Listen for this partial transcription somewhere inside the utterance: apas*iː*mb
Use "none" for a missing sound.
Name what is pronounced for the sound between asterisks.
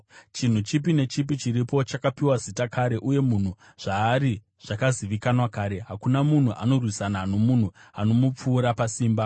iː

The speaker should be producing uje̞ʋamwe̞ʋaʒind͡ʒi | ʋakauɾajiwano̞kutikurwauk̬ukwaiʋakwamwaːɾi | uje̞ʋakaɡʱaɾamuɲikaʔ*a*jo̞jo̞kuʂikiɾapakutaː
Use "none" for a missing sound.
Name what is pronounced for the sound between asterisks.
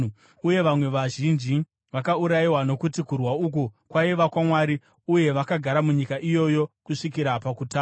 i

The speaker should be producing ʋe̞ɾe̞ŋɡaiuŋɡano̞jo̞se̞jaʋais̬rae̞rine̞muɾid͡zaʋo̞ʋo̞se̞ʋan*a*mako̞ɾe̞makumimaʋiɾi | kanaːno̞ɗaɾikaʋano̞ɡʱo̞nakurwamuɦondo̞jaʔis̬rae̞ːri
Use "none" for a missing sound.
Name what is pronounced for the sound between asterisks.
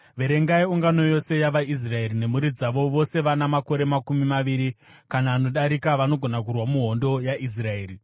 a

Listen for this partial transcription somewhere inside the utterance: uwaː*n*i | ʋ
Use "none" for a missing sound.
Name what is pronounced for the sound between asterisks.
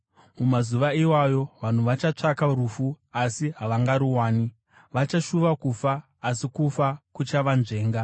n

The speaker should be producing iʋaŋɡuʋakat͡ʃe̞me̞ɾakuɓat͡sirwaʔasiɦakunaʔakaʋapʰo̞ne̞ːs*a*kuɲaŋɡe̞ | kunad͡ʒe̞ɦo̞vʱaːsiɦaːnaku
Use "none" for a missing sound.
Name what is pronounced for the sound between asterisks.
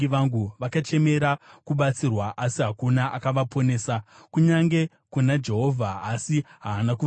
a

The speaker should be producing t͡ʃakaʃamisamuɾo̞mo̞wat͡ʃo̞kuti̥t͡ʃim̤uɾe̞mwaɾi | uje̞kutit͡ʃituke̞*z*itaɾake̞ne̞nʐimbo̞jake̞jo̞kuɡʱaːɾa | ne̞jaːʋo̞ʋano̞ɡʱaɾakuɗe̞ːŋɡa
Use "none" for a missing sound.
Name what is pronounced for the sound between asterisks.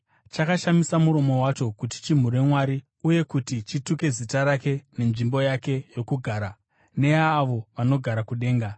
z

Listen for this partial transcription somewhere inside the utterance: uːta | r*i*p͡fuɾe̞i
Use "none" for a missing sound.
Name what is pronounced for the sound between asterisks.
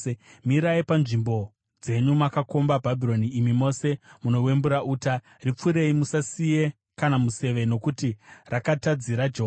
i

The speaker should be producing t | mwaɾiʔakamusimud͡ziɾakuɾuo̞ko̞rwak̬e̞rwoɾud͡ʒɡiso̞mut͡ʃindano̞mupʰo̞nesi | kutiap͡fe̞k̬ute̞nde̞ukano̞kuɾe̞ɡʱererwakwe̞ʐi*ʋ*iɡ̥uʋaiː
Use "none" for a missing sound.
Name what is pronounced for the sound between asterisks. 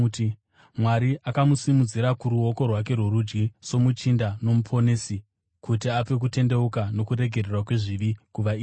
ʋ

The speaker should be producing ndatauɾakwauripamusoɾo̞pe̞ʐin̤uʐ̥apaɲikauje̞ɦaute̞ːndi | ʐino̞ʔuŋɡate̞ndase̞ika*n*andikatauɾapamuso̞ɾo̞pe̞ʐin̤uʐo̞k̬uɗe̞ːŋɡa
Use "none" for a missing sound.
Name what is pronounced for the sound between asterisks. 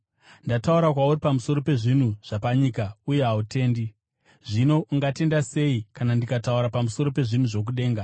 n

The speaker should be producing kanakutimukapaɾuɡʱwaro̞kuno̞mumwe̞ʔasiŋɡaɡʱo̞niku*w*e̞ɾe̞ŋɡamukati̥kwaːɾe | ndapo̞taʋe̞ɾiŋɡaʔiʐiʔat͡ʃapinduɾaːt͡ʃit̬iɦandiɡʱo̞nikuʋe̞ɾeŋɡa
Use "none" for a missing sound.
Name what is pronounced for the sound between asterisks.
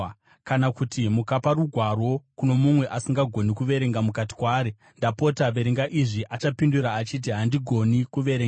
ʋ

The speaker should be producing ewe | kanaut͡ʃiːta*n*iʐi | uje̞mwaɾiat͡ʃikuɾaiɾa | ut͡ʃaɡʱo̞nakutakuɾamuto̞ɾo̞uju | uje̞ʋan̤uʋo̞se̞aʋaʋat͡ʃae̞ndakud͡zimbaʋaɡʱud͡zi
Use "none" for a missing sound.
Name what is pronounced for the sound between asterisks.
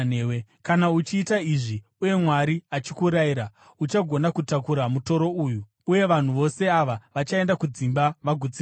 none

